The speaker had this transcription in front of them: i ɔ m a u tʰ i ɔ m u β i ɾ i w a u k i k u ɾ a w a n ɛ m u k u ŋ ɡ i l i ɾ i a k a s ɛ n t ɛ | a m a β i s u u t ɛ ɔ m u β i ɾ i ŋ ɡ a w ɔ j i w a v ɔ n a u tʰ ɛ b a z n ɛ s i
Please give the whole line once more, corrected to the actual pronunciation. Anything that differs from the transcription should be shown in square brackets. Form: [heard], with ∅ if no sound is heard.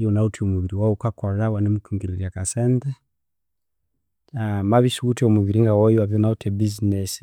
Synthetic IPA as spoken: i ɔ [n] a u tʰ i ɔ m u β i ɾ i w a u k [a] k [ɔ] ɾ a w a n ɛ m u k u ŋ ɡ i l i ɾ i a k a s ɛ n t ɛ | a m a β i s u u t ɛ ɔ m u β i ɾ i ŋ ɡ a w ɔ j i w a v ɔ n a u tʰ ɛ b [i] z n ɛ s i